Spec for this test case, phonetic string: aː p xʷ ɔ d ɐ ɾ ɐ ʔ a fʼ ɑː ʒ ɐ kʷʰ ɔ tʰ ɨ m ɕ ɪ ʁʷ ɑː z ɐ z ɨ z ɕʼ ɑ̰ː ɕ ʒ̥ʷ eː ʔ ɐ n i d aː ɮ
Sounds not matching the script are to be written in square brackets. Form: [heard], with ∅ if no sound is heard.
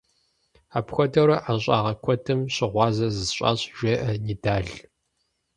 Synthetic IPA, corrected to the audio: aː p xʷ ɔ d ɐ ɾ ɐ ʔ a [ɕʼ] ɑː [ʁ] ɐ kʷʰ ɔ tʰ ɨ m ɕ ɪ ʁʷ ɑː z ɐ z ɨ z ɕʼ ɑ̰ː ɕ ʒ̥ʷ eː ʔ ɐ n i d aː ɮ